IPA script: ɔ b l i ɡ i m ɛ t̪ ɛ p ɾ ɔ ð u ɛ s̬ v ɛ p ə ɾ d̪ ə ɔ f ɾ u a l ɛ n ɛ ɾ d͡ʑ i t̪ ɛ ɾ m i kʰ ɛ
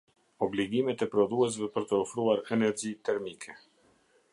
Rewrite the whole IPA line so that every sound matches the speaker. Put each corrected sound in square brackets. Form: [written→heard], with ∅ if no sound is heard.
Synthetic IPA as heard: ɔ b l i ɡ i m ɛ t̪ ɛ p ɾ ɔ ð u ɛ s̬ v ɛ p ə ɾ [d̪→t̪] ə ɔ f ɾ u a [l→ɾ] ɛ n ɛ ɾ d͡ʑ i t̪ ɛ ɾ m i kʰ ɛ